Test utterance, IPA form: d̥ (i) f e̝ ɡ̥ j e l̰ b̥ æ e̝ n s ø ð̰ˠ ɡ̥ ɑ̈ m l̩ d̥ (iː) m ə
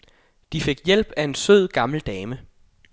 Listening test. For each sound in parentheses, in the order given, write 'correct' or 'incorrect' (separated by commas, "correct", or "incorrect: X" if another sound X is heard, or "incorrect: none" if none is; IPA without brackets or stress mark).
correct, incorrect: ɛː